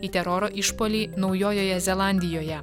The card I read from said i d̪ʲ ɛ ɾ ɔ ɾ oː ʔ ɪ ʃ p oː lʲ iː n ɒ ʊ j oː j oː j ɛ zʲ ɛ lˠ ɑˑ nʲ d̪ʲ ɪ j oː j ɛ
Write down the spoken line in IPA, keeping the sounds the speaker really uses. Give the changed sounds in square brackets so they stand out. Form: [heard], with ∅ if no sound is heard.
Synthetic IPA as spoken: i [t̪ʲ] ɛ ɾ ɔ ɾ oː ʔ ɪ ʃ p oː lʲ iː n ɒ ʊ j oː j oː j ɛ zʲ ɛ lˠ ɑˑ nʲ d̪ʲ ɪ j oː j ɛ